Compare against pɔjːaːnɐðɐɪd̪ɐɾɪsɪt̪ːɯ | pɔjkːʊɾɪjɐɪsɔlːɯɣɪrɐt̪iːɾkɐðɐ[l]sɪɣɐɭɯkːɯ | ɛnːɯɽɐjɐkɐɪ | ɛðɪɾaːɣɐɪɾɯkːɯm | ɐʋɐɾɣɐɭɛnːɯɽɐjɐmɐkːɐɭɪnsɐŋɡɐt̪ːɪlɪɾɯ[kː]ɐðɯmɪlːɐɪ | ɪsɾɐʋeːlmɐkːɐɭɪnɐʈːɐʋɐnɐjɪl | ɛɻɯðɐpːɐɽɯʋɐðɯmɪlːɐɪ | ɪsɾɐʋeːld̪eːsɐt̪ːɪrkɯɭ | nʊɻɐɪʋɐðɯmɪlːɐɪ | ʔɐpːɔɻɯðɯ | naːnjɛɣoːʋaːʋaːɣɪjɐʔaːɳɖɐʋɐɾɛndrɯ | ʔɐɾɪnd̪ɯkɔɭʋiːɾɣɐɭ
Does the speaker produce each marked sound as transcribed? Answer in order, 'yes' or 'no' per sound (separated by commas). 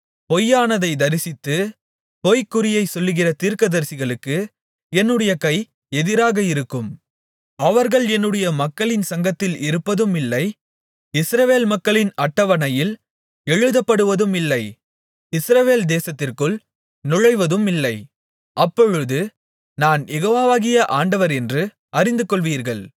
no, no